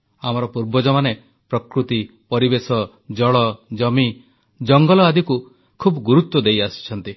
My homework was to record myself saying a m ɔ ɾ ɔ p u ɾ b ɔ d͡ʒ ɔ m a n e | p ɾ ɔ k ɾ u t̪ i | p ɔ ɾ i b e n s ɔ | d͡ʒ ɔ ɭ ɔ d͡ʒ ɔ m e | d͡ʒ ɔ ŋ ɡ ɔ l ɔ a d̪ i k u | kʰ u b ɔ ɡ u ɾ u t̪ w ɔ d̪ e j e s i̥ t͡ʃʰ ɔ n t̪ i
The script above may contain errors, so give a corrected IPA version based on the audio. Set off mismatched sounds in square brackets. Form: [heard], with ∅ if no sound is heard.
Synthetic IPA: a m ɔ ɾ ɔ p u ɾ b ɔ d͡ʒ ɔ m a n e | p ɾ ɔ k ɾ u t̪ i | p ɔ ɾ i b e [∅] s ɔ | d͡ʒ ɔ ɭ ɔ d͡ʒ ɔ m [i] | d͡ʒ ɔ ŋ ɡ ɔ l ɔ a d̪ i k u | kʰ u b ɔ ɡ u ɾ u t̪ w ɔ d̪ e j [a] s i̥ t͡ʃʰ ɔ n t̪ i

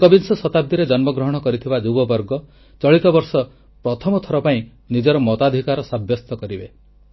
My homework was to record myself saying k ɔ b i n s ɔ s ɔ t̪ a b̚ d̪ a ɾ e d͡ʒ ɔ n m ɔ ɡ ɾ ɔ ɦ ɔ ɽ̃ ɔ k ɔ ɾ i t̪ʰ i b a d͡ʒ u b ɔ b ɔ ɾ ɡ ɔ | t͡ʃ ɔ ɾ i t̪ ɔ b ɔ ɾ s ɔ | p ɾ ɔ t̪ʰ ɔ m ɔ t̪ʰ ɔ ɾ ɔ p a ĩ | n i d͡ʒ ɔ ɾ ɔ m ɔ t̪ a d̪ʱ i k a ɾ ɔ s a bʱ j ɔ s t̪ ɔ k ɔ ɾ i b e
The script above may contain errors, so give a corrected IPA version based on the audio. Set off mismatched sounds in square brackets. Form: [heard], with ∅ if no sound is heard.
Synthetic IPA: k ɔ b i n s ɔ s ɔ t̪ a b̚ d̪ [i] ɾ e d͡ʒ ɔ n m ɔ ɡ ɾ ɔ ɦ ɔ ɽ̃ ɔ k ɔ ɾ i t̪ʰ i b a d͡ʒ u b ɔ b ɔ ɾ ɡ ɔ | t͡ʃ ɔ [ɭ] i t̪ ɔ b ɔ ɾ s ɔ | p ɾ ɔ t̪ʰ ɔ m ɔ t̪ʰ ɔ ɾ ɔ p a ĩ | n i d͡ʒ ɔ ɾ ɔ m ɔ t̪ a d̪ʱ i k a ɾ ɔ s a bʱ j ɔ s t̪ ɔ k ɔ ɾ i b e

